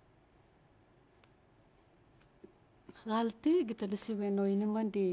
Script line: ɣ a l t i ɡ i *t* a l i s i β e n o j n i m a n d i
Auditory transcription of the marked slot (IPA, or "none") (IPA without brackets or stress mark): t